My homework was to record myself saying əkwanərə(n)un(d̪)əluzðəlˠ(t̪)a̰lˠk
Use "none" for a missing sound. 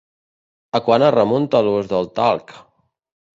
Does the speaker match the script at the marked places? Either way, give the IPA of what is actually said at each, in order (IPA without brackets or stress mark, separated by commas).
m, t̪, t̪